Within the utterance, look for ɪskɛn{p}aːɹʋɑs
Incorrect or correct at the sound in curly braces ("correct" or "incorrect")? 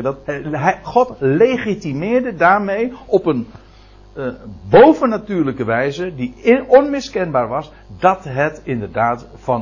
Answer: incorrect